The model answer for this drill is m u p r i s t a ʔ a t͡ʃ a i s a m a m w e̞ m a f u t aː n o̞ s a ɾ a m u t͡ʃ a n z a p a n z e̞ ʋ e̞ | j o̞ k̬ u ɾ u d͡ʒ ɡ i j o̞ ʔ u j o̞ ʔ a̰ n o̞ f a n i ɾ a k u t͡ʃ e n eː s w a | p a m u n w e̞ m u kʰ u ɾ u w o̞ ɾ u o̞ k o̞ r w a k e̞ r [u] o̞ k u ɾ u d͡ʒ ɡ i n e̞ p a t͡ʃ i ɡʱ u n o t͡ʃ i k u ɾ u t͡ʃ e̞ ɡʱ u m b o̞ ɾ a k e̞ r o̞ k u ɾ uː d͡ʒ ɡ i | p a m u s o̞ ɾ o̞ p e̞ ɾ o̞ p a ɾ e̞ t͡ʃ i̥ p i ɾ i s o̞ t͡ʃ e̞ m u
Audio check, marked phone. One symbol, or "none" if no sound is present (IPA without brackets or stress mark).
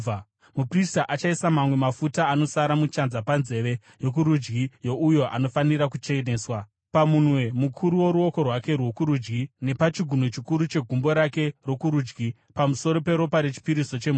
w